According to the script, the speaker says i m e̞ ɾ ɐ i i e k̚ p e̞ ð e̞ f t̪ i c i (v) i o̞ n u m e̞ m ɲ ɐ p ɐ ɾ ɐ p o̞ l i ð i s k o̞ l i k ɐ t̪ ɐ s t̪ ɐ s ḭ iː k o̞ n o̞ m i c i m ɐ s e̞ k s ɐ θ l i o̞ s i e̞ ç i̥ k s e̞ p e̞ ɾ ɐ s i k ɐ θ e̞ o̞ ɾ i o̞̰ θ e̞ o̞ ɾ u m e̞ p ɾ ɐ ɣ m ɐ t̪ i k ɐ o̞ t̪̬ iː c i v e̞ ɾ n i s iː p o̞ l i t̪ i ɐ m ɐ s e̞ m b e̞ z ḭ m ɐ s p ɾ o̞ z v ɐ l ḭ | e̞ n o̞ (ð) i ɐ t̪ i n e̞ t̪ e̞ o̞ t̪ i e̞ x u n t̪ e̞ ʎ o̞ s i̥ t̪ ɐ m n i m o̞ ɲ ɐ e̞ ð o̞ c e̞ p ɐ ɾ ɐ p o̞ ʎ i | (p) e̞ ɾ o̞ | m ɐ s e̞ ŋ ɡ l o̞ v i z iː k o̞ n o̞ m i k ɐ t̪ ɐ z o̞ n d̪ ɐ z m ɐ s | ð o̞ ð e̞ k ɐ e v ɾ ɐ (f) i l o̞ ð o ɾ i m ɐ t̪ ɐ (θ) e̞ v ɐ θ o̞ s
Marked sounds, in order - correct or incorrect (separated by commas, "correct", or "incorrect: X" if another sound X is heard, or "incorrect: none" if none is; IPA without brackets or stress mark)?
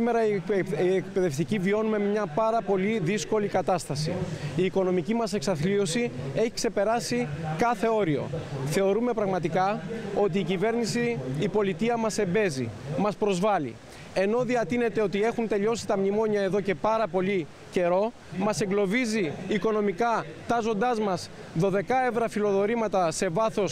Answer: correct, correct, incorrect: c, correct, incorrect: s